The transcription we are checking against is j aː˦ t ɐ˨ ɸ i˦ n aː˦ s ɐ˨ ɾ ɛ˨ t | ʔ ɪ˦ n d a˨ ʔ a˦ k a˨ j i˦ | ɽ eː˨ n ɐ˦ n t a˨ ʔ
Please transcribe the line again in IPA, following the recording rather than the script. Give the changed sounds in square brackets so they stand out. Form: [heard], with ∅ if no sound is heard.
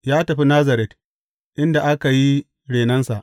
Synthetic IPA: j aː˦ t ɐ˨ ɸ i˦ n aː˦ [z] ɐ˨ ɾ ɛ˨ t | ʔ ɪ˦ n d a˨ ʔ a˦ k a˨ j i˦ | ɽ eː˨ n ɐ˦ n [s] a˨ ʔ